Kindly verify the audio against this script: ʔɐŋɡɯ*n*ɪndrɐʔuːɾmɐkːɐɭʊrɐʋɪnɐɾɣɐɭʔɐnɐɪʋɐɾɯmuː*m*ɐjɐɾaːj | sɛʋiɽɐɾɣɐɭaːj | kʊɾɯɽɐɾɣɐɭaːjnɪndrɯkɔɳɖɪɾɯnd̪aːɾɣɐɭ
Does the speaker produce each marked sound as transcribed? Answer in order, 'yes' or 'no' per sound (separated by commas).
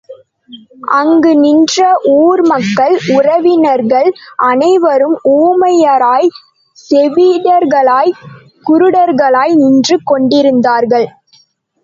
yes, yes